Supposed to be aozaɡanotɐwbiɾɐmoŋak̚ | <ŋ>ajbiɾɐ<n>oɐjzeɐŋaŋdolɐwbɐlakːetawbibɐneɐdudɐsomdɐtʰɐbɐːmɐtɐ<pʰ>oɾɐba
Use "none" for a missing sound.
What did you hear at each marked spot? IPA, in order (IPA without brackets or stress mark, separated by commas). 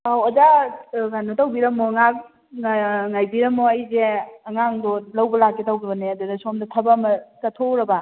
ŋ, m, tʰ